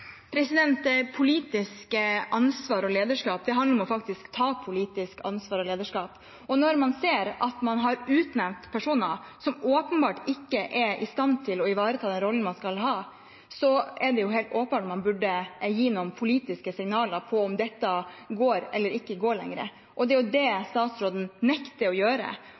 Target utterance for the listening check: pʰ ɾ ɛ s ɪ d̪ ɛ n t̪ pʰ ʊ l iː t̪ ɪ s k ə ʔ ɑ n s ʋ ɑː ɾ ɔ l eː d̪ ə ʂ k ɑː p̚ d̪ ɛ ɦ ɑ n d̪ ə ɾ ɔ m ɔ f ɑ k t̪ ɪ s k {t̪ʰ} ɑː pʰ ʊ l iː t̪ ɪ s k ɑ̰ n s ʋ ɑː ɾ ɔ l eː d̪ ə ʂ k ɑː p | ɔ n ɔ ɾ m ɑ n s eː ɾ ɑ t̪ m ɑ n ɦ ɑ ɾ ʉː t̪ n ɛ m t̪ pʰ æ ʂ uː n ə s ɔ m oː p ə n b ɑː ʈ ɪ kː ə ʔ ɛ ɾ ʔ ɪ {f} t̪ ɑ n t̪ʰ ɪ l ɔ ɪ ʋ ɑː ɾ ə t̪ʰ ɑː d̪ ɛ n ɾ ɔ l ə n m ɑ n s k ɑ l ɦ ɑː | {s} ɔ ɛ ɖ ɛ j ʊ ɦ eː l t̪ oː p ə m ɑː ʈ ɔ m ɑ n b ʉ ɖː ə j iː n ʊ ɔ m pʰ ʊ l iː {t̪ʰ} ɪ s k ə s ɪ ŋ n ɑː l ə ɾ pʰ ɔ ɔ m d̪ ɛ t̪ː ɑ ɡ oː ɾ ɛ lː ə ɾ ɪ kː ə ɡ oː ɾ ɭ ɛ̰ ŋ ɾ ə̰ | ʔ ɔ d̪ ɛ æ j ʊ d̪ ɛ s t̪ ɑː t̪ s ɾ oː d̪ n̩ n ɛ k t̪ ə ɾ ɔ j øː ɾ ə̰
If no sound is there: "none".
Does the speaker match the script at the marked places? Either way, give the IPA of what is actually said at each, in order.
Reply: t̪ʰ, s, s, t̪

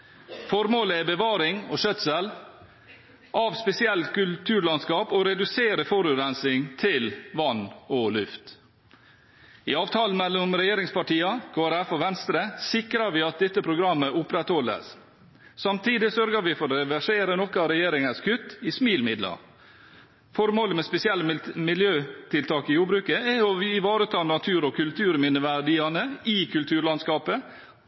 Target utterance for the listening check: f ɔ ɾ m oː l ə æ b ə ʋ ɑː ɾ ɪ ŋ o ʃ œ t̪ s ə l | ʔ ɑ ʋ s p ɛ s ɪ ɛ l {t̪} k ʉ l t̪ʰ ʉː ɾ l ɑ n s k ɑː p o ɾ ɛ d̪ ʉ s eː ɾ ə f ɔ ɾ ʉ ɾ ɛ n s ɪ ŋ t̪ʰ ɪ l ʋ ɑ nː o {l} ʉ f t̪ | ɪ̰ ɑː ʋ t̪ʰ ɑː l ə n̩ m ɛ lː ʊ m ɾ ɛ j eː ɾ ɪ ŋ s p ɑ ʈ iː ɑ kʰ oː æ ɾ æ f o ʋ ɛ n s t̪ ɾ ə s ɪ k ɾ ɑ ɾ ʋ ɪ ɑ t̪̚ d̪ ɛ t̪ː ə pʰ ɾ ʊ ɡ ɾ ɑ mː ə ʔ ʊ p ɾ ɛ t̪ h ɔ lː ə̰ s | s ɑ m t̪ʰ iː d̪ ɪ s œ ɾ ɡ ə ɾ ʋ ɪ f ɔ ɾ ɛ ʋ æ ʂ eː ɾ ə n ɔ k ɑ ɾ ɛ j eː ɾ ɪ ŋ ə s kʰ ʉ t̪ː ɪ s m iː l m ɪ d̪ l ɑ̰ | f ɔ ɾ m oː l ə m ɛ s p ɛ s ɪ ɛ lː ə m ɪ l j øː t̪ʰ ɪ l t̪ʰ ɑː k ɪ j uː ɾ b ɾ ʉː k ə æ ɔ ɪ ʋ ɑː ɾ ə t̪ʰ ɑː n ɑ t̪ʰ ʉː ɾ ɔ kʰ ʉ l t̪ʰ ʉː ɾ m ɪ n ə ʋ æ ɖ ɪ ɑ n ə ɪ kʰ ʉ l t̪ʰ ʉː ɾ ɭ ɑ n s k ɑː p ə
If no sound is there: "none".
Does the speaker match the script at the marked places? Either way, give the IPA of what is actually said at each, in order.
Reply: t̪, l

